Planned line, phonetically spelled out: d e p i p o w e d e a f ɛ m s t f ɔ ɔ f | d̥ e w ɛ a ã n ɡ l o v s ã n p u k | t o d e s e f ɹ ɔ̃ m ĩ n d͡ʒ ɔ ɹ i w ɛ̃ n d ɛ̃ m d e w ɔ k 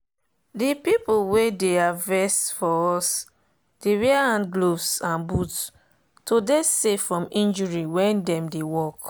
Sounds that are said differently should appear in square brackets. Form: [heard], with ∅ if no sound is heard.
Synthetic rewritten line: d [i] p i p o w e d e a [v] ɛ [∅] s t f ɔ ɔ [s] | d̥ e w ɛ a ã n ɡ l o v s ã n [b] u [t] | t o d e s e f ɹ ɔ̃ m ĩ n d͡ʒ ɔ ɹ i w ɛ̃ n d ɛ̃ m d e w ɔ k